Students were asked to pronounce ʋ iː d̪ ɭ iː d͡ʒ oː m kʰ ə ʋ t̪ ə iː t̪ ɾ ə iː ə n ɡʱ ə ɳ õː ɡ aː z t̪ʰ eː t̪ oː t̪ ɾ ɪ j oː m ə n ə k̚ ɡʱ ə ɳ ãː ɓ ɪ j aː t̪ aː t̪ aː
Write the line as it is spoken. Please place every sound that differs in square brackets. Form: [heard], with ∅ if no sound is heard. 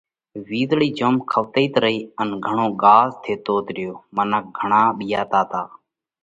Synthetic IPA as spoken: ʋ iː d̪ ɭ iː d͡ʒ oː m kʰ ə ʋ t̪ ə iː t̪ ɾ ə iː ə n ɡʱ ə ɳ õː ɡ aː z t̪ʰ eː t̪ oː t̪ ɾ ɪ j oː m ə n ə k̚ ɡʱ ə ɳ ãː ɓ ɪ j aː t̪ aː t̪ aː